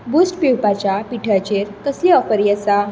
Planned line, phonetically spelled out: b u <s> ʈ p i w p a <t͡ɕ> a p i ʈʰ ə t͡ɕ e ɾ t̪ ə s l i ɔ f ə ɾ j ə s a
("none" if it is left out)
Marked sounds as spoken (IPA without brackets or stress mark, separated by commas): s, t͡ɕ